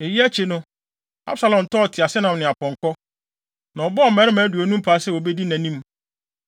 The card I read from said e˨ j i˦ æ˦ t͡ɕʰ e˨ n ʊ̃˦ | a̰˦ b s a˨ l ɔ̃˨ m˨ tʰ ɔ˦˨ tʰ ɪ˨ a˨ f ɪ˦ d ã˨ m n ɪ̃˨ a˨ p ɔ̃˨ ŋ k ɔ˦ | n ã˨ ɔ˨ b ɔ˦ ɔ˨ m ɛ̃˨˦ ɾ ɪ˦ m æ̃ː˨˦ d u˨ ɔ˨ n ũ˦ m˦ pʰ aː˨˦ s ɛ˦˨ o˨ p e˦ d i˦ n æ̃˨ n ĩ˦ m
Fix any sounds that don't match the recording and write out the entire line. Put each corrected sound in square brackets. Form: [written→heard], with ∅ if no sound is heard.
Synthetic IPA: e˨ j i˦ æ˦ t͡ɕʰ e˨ n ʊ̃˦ | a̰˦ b s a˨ l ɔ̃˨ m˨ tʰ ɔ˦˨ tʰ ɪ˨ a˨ [f→s] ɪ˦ [d→n] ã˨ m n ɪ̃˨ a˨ p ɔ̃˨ ŋ k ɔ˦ | n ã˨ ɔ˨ b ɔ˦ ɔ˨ m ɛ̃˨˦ ɾ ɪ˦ m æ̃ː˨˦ d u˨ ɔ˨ n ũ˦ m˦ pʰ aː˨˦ s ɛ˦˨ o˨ [p→b] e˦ d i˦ n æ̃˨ n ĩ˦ m

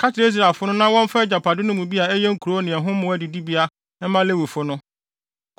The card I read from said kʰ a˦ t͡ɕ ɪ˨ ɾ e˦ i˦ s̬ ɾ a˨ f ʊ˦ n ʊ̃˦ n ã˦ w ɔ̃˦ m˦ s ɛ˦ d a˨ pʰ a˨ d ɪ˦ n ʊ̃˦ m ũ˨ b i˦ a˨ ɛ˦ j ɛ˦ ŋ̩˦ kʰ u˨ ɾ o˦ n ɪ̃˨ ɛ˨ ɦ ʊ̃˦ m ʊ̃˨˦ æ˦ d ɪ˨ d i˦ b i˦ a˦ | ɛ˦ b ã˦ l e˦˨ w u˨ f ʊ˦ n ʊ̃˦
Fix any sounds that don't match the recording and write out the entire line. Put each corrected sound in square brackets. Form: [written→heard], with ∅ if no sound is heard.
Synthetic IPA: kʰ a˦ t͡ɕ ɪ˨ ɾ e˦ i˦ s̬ ɾ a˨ f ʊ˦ n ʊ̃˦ n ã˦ w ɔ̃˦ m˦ [s→f] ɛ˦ [d→d͡ʑ] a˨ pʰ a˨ d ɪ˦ n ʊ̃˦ m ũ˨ b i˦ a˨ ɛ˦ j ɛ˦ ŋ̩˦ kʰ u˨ ɾ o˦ n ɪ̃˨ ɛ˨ ɦ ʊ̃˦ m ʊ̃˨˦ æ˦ d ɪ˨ d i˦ b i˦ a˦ | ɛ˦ [b→m] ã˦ l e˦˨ w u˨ f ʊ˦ n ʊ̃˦

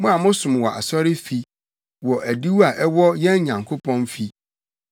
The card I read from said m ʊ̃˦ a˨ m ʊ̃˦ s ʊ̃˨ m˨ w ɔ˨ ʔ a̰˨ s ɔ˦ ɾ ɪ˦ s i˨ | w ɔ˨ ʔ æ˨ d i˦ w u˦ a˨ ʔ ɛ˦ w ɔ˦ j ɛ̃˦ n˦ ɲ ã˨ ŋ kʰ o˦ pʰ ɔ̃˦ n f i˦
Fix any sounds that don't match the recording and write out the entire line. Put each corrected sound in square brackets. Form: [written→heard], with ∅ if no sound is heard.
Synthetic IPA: m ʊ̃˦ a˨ m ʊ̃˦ s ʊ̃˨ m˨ w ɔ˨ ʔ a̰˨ s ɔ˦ ɾ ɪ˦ [s→f] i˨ | w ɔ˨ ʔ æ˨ d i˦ w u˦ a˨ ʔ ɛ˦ w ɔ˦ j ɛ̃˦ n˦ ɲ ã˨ ŋ kʰ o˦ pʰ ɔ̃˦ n f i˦

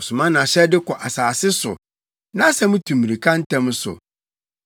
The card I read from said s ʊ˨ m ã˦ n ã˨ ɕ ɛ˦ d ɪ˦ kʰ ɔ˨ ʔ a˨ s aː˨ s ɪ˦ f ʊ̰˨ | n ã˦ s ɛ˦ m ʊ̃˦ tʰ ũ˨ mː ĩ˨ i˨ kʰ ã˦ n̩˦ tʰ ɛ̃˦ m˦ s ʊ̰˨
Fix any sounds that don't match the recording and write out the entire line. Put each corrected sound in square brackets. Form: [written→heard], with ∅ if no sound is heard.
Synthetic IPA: s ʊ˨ m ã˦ n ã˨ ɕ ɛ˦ d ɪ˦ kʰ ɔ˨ ʔ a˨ s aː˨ s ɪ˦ [f→s] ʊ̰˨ | n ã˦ s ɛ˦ m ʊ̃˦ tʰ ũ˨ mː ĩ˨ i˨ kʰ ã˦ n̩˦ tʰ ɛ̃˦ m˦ s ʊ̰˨

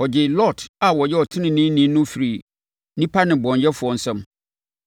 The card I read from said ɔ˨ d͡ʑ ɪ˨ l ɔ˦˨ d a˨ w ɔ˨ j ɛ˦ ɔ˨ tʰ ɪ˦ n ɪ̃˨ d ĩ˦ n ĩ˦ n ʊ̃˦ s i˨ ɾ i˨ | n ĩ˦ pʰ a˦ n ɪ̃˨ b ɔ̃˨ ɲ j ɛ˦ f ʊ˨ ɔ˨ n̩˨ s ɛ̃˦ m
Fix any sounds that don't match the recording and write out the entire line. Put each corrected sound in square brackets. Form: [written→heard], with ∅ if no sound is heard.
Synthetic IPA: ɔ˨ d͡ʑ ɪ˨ l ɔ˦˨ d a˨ w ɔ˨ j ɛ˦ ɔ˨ tʰ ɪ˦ n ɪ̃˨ [d→n] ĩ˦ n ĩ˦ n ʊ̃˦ [s→f] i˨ ɾ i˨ | n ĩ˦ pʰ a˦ n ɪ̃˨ b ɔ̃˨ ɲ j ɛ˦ f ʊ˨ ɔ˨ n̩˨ s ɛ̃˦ m

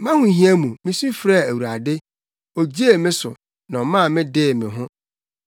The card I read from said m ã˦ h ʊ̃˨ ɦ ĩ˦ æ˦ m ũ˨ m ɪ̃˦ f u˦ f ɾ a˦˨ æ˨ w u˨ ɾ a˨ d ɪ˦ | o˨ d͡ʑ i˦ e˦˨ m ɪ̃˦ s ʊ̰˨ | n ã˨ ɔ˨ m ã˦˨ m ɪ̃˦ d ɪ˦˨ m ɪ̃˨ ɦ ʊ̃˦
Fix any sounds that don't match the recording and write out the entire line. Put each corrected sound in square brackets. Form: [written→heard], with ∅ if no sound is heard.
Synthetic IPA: m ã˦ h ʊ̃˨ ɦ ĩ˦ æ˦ m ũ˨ m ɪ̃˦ [f→s] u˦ f ɾ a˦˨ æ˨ w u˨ ɾ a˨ d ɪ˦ | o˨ d͡ʑ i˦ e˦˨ m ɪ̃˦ s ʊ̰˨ | n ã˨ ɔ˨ m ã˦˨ m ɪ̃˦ d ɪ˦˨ m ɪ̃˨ ɦ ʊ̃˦

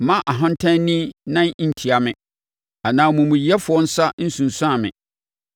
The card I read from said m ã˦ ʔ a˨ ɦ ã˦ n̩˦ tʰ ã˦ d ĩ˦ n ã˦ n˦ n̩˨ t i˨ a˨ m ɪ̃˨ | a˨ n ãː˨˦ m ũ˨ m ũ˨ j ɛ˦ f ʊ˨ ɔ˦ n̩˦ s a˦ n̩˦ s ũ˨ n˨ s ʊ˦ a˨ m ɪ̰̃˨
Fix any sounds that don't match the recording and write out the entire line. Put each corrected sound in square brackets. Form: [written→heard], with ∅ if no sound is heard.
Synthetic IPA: m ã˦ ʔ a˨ ɦ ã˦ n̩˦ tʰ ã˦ [d→n] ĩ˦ n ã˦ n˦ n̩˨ [t→tʰ] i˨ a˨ m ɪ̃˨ | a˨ n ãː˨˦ m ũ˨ m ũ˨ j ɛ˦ f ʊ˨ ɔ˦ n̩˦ s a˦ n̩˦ s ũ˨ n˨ s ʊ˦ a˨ m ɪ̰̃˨

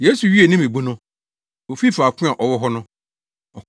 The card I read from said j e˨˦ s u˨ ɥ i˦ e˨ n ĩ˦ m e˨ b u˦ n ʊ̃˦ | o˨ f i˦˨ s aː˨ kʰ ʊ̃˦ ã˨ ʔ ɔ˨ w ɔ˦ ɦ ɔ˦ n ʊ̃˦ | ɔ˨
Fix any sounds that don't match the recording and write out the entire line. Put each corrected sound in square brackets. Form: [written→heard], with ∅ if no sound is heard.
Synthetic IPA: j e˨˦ s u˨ ɥ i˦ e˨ n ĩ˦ m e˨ b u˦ n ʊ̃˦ | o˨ f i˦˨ [s→f] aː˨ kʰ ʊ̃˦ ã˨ ʔ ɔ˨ w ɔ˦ ɦ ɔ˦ n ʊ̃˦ | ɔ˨

